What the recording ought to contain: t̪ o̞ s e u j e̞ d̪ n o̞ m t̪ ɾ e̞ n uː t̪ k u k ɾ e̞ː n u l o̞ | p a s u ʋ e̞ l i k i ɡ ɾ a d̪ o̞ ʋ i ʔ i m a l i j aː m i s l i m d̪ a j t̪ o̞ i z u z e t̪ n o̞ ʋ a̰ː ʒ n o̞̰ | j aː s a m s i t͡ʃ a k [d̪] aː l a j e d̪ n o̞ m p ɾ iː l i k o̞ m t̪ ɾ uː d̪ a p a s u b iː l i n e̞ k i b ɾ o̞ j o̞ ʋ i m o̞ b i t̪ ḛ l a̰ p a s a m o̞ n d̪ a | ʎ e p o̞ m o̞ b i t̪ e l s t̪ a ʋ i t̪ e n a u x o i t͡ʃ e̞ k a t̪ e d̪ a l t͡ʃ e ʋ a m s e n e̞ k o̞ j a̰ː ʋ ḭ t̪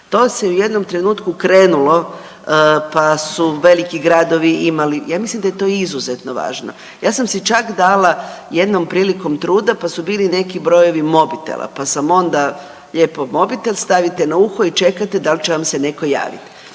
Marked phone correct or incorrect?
correct